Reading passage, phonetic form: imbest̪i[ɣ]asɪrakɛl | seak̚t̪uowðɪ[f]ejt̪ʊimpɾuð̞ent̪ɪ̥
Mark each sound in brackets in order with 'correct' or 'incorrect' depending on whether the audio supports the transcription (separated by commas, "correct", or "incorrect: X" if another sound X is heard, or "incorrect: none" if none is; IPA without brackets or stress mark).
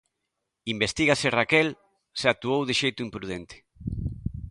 correct, incorrect: ʃ